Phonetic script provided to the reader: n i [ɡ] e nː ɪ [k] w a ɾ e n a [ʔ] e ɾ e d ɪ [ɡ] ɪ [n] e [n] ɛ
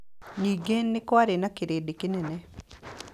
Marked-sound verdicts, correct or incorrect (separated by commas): correct, correct, incorrect, incorrect, correct, correct